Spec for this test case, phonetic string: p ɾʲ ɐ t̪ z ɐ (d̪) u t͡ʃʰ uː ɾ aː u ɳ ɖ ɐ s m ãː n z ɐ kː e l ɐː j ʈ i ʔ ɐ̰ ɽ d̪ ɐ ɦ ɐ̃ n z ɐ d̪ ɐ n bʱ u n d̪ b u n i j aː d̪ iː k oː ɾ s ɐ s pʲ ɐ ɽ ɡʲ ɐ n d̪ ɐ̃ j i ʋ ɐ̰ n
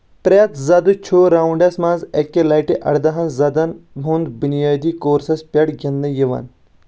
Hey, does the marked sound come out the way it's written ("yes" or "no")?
yes